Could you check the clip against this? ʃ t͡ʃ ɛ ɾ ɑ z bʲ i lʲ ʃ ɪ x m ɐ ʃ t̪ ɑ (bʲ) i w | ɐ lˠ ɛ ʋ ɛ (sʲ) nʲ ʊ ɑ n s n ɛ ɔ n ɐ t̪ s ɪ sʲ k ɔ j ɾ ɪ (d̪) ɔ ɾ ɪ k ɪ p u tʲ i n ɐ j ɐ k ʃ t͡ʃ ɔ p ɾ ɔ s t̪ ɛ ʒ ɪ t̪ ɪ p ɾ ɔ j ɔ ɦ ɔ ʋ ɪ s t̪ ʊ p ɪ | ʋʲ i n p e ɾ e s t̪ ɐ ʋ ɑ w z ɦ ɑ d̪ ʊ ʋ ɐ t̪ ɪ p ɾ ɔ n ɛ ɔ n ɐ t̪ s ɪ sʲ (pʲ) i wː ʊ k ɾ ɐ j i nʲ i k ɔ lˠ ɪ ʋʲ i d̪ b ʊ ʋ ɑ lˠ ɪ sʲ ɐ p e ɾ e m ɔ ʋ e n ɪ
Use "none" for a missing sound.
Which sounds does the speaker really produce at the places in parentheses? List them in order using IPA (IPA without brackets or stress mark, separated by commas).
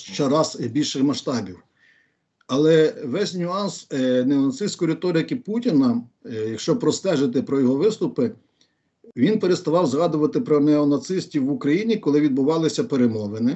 bʲ, sʲ, t̪, tʲ